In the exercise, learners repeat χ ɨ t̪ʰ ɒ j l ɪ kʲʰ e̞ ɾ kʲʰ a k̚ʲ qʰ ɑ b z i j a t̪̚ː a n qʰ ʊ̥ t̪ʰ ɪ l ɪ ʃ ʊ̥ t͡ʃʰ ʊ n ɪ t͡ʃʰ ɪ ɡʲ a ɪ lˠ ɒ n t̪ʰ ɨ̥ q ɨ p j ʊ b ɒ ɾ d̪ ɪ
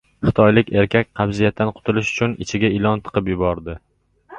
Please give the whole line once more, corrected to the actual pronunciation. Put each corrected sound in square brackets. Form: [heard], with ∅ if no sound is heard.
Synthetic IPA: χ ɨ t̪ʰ ɒ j l ɪ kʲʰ e̞ ɾ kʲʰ a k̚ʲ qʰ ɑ b z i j a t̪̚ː a n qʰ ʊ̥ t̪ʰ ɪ l ɪ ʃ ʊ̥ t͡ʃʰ ʊ n ɪ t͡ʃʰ ɪ ɡʲ a ɪ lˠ ɒ n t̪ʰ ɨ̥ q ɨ p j ʊ b ɒ ɾ d̪ ɪ

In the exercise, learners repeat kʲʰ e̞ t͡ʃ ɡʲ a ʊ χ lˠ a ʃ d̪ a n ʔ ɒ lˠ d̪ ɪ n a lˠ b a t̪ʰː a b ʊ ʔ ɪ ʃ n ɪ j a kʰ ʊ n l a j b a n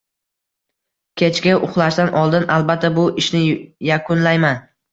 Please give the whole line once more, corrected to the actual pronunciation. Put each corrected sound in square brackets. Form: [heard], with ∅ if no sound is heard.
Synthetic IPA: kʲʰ e̞ t͡ʃ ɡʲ a ʊ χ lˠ a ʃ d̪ a n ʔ ɒ lˠ d̪ ɪ n a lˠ b a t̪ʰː a b ʊ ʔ ɪ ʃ n ɪ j a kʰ ʊ n l a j [m] a n

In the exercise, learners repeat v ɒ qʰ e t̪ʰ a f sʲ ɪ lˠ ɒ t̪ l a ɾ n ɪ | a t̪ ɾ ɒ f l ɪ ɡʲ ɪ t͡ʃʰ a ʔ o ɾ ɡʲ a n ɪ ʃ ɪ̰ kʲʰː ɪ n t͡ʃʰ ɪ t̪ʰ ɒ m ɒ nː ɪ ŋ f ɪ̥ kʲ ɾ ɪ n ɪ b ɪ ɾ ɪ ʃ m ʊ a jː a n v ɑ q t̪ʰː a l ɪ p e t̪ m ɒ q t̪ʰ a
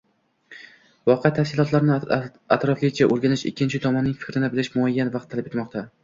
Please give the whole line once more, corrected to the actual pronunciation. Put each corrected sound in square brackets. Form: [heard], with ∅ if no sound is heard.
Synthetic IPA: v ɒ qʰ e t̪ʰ a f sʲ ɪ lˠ ɒ t̪ l a ɾ n ɪ | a t̪ ɾ ɒ f l ɪ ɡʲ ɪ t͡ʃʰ a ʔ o ɾ ɡʲ a n ɪ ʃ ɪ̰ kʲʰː ɪ n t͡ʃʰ ɪ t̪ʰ ɒ m ɒ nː ɪ ŋ f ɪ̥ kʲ ɾ ɪ n ɪ b ɪ [l] ɪ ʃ m ʊ a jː a n v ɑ q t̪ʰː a l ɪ p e t̪ m ɒ q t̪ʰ a

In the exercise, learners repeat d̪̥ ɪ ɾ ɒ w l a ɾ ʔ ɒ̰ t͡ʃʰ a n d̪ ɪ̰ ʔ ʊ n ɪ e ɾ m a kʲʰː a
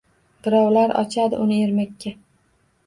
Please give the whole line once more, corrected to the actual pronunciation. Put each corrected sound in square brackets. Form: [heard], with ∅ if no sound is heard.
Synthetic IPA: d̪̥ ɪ ɾ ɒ w l a ɾ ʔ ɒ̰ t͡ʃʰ a [∅] d̪ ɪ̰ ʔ ʊ n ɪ e ɾ m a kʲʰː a

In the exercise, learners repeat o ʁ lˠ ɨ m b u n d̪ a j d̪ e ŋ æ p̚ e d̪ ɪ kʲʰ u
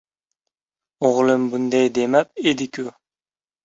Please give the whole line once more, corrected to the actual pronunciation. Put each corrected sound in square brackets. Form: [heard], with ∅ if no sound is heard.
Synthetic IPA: o ʁ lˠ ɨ m b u n d̪ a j d̪ e [m] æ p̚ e d̪ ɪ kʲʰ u

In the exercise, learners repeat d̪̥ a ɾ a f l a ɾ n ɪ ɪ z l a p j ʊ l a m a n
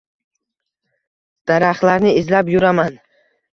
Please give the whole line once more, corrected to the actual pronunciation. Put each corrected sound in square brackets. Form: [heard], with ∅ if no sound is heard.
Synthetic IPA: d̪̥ a ɾ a [χ] l a ɾ n ɪ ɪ z l a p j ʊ [ɾ] a m a n

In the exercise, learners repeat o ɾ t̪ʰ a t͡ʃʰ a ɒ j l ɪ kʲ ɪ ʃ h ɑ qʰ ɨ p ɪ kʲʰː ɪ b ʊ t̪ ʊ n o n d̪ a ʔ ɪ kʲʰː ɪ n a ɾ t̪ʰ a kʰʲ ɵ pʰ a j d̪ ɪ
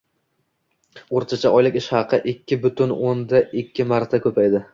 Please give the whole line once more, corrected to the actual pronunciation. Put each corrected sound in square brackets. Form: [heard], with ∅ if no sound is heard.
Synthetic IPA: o ɾ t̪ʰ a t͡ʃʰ a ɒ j l ɪ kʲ ɪ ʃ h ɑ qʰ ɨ [ʔ] ɪ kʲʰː ɪ b ʊ t̪ ʊ n o n d̪ a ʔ ɪ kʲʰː ɪ [m] a ɾ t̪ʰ a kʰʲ ɵ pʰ a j d̪ ɪ

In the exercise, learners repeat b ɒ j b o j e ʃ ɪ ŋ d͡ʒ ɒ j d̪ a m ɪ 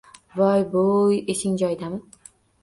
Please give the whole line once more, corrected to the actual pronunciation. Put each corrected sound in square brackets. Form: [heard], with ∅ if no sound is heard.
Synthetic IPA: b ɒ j b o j e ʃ ɪ ŋ d͡ʒ ɒ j d̪ a m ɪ

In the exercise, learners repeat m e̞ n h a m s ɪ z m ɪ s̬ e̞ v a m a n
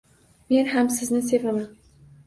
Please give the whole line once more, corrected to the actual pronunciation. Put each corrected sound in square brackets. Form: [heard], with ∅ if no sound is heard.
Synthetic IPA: m e̞ n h a m s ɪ z [n] ɪ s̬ e̞ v a m a n

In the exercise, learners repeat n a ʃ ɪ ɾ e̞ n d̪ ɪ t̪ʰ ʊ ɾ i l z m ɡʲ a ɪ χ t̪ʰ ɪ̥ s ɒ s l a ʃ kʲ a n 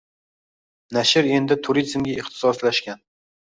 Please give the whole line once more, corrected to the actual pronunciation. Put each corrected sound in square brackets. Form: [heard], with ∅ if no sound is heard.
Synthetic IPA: n a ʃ ɪ ɾ e̞ n d̪ ɪ t̪ʰ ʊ ɾ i [∅] z m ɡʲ a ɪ χ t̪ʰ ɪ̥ s ɒ s l a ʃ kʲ a n

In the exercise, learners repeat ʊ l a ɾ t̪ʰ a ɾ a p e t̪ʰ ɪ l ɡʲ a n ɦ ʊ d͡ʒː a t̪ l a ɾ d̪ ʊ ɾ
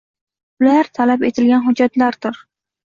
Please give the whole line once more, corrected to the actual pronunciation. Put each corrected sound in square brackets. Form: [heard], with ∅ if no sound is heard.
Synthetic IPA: ʊ l a ɾ t̪ʰ a [l] a p e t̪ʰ ɪ l ɡʲ a n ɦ ʊ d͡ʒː a t̪ l a ɾ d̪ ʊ ɾ

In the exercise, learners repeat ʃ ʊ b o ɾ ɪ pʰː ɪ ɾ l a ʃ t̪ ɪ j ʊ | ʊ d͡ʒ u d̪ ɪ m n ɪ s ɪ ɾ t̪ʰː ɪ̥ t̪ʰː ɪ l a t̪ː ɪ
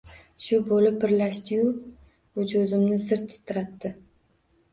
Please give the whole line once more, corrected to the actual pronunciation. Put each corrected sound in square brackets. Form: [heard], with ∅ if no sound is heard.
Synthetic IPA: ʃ ʊ b o [l] ɪ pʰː ɪ ɾ l a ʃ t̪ ɪ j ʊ | ʊ d͡ʒ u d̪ ɪ m n ɪ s ɪ ɾ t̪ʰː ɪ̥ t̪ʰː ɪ [ɾ] a t̪ː ɪ

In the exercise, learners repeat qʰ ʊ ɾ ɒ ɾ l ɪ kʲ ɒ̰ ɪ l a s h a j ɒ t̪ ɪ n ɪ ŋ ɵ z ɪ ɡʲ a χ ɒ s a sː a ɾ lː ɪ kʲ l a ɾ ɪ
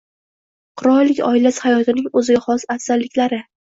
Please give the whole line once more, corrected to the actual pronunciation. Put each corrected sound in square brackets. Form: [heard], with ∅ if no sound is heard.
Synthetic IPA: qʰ ʊ ɾ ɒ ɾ l ɪ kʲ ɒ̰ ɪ l a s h a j ɒ t̪ ɪ n ɪ ŋ ɵ z ɪ ɡʲ a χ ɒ s a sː a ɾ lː ɪ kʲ l a ɾ ɪ

